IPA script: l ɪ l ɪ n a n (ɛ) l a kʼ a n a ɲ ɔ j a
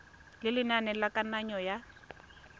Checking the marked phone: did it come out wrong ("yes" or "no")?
no